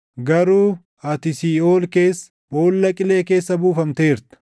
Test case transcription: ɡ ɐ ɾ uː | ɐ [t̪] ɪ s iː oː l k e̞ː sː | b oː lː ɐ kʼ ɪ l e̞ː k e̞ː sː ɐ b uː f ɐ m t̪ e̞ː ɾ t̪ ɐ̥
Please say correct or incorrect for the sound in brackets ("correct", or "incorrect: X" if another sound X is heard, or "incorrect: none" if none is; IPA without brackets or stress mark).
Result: correct